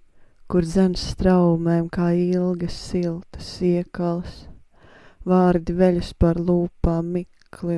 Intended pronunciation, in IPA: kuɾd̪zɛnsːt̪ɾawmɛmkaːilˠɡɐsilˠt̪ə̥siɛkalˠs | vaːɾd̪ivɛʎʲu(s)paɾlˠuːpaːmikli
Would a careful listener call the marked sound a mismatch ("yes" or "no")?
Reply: no